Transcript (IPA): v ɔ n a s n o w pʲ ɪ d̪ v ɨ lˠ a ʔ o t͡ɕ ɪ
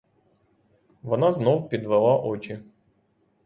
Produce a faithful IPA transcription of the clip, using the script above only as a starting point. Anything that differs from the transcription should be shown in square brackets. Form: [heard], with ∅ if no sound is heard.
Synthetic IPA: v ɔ n a [z] n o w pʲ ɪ d̪ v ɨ lˠ a ʔ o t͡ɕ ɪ